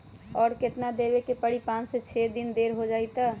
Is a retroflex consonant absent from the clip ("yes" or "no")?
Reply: no